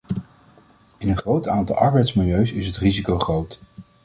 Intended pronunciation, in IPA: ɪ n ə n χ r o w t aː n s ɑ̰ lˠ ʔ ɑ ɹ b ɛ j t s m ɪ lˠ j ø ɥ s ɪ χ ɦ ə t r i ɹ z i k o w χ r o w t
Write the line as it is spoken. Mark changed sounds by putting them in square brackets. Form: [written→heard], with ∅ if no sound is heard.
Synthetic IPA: ɪ n ə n χ r o w t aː n [s→t] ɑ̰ lˠ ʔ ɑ ɹ b ɛ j t s m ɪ lˠ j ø ɥ s ɪ [χ→s] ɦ ə t r i [ɹ→∅] z i k o w χ r o w t